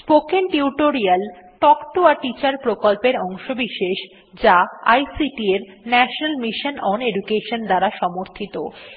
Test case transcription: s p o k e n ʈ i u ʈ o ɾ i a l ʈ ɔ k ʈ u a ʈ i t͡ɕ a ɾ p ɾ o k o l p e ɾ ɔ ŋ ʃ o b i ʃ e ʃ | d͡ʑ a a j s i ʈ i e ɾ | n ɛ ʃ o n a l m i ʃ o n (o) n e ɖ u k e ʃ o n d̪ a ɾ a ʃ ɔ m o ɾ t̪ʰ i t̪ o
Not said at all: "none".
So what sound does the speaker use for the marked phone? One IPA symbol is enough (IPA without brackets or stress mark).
ɔ